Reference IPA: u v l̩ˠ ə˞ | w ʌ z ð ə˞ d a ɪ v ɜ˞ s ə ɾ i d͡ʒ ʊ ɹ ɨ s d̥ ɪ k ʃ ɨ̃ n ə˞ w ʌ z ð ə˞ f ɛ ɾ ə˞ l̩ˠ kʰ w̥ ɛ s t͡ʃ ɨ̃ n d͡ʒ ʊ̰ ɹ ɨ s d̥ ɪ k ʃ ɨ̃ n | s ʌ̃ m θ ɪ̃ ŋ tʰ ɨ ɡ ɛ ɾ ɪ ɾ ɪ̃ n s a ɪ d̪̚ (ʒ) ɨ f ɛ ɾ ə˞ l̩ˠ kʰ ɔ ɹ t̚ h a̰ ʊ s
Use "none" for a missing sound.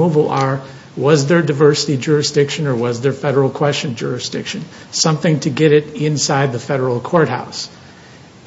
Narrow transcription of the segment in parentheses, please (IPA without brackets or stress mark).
ð